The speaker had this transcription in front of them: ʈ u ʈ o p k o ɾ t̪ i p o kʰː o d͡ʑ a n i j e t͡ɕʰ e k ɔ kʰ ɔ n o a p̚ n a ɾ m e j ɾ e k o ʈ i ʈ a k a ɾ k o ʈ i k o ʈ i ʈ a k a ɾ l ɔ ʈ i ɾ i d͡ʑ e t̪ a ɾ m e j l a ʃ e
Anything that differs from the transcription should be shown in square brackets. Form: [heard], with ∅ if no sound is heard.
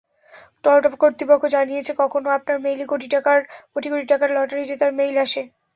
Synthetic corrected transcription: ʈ [ɔ] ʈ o p k o ɾ t̪ i p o kʰː o d͡ʑ a n i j e t͡ɕʰ e k ɔ kʰ [o] n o a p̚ n a ɾ m e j [l] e k o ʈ i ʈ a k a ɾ k o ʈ i k o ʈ i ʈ a k a ɾ l ɔ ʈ [a] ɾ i d͡ʑ e t̪ a ɾ m e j l a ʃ e